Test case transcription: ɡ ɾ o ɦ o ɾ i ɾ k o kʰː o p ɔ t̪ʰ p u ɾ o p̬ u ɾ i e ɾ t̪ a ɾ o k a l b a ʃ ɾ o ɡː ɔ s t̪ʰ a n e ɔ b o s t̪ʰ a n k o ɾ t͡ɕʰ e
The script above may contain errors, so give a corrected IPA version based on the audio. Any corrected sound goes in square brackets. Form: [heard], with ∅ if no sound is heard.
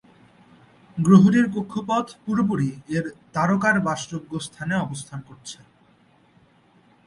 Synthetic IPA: ɡ ɾ o ɦ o ɾ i ɾ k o kʰː o p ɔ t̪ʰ p u ɾ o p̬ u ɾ i e ɾ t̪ a ɾ o k a [ɾ] b a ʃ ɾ o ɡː [o] s t̪ʰ a n e ɔ b o s t̪ʰ a n k o ɾ t͡ɕʰ e